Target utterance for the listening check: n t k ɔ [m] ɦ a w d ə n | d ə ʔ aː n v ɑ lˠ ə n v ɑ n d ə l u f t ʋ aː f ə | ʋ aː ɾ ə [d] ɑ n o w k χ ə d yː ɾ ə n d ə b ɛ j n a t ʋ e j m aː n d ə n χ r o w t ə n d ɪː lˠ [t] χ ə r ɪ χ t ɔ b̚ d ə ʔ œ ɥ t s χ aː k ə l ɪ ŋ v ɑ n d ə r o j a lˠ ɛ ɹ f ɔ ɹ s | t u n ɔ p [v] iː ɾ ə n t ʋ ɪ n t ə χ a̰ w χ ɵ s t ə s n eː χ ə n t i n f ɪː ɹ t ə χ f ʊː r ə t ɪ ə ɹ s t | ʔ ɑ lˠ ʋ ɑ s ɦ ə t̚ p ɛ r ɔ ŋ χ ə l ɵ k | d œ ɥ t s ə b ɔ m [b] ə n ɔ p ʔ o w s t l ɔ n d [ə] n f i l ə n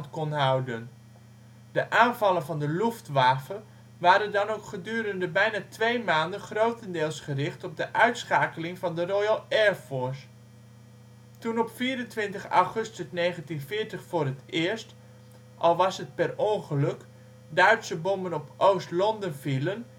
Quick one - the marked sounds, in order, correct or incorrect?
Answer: incorrect: n, correct, incorrect: s, incorrect: f, correct, correct

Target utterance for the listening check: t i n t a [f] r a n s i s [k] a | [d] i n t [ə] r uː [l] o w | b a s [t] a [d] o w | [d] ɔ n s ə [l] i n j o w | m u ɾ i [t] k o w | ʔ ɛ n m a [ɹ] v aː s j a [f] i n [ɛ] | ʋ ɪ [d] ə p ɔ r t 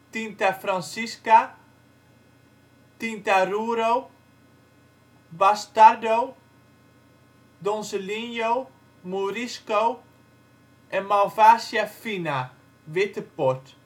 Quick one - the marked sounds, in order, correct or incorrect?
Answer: correct, correct, incorrect: t, incorrect: a, incorrect: ɾ, correct, correct, correct, correct, incorrect: s, incorrect: l, correct, incorrect: a, incorrect: t

